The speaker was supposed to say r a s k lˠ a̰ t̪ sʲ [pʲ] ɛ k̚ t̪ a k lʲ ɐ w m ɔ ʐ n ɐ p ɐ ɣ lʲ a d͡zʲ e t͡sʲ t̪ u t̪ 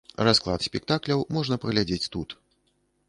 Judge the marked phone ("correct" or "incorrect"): correct